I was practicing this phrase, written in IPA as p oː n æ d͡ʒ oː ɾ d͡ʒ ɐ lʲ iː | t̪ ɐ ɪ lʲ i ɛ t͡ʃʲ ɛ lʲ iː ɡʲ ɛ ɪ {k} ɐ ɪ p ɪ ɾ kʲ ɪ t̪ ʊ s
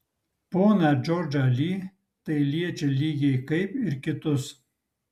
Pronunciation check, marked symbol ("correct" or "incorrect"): correct